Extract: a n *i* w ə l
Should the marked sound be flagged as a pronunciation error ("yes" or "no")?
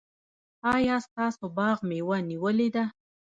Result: no